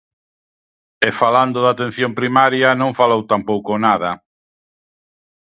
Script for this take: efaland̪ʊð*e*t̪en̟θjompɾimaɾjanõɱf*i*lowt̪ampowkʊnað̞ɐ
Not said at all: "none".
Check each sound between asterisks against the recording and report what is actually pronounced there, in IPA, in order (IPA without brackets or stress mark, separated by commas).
a, a